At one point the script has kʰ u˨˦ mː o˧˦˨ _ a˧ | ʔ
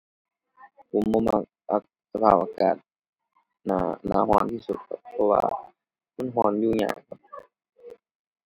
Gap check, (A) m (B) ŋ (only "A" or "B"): A